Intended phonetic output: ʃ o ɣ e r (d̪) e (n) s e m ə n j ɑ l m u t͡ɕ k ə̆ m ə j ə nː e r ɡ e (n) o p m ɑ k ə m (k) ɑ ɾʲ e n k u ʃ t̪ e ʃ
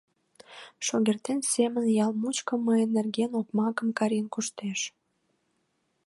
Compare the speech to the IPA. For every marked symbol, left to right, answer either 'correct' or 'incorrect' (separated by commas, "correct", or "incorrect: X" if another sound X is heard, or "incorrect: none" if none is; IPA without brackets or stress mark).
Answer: incorrect: t̪, correct, correct, correct